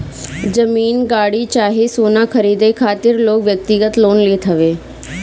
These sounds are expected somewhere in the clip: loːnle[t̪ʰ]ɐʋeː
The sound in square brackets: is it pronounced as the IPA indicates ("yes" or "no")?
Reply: yes